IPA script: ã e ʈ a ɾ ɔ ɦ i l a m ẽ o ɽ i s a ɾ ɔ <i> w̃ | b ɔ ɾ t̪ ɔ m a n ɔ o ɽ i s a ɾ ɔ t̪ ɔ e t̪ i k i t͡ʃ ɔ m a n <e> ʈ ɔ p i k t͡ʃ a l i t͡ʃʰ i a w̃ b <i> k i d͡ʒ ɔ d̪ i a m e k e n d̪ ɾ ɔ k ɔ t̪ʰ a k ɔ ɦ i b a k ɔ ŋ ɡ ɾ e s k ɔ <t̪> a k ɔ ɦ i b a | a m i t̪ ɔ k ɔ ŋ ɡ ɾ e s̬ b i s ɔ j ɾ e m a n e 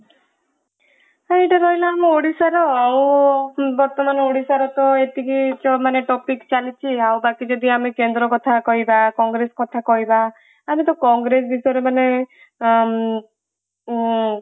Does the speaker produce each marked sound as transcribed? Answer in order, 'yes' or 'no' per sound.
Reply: no, yes, no, no

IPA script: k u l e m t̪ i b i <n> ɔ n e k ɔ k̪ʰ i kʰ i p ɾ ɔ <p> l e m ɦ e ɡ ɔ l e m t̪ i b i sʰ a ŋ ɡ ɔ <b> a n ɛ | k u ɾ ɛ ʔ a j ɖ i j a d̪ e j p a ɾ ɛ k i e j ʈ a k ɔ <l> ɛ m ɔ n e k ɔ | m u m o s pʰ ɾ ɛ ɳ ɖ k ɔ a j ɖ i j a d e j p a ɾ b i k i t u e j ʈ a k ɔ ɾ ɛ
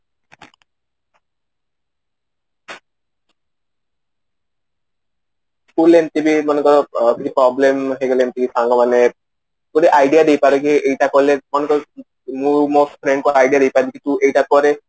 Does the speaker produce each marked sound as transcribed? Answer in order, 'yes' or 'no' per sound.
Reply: no, no, no, yes

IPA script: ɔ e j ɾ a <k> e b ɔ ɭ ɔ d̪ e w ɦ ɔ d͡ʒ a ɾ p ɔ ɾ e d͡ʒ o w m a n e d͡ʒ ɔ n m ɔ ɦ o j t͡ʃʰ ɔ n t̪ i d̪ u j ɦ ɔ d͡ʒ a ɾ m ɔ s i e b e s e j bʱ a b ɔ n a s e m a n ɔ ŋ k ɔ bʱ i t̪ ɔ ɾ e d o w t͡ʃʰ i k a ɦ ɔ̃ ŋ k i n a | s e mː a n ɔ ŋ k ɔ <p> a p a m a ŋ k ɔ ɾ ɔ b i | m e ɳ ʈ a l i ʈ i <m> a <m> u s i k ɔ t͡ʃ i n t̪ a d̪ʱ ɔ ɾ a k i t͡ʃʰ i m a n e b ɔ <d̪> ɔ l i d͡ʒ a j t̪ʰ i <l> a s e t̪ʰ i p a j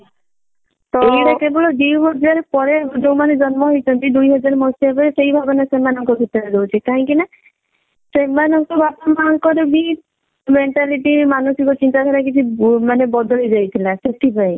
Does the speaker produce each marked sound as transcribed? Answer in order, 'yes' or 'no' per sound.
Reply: yes, no, yes, no, yes, yes

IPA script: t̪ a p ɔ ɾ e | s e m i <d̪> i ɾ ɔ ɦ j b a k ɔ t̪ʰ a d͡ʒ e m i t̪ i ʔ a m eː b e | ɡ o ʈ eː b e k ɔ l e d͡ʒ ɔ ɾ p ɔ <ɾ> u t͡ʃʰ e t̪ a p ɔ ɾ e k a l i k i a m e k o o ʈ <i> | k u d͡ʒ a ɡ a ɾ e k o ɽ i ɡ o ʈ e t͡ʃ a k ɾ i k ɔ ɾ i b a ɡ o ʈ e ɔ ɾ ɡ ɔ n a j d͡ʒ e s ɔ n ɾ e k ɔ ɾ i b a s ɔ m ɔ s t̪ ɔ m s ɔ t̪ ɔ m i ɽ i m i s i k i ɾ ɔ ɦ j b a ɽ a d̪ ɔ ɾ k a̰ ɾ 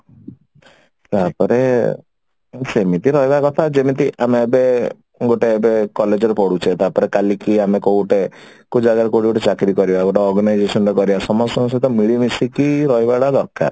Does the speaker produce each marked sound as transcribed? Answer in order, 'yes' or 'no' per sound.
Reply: no, no, no

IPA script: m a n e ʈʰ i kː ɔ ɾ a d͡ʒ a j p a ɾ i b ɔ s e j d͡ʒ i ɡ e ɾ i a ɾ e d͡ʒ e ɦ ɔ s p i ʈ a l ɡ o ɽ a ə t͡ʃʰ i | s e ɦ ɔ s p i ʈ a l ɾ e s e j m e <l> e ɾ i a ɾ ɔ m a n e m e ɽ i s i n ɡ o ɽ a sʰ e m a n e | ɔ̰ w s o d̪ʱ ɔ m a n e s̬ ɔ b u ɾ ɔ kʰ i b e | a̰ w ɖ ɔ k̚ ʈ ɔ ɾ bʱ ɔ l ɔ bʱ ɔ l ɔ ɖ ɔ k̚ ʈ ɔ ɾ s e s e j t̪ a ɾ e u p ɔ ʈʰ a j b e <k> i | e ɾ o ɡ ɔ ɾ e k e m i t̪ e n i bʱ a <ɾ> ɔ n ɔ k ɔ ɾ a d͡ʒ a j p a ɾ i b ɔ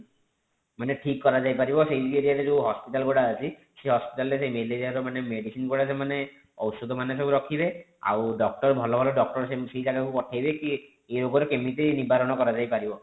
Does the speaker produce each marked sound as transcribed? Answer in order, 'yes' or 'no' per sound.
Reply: yes, yes, yes

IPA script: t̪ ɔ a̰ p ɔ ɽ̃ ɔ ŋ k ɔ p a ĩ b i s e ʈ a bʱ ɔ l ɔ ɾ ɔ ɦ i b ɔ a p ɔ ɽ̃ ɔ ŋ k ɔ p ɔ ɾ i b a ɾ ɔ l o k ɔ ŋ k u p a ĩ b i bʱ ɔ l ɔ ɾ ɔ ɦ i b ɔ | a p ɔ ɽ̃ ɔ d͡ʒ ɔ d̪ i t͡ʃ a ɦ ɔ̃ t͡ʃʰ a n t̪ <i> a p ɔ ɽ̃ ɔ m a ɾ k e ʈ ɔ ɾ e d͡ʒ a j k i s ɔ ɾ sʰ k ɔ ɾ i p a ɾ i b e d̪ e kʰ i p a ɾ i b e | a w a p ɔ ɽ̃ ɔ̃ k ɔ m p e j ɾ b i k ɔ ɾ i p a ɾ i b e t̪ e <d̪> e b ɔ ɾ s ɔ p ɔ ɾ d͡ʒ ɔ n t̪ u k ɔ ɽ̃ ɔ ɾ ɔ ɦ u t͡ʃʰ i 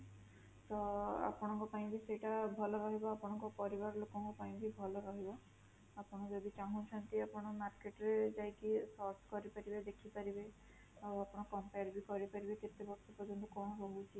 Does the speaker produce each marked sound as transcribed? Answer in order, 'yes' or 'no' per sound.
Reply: yes, no

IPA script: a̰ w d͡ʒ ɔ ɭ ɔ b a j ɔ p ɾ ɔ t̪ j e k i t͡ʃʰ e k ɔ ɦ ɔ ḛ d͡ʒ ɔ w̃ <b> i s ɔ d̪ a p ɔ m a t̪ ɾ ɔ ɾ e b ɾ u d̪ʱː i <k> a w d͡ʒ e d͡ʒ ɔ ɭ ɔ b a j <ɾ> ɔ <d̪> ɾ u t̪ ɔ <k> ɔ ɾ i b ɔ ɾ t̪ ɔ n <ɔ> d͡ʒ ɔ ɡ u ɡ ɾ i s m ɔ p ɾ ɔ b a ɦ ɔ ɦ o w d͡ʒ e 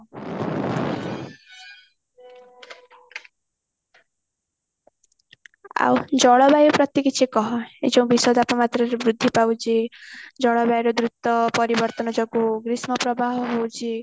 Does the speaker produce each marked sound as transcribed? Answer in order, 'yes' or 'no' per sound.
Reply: yes, no, yes, yes, no, yes

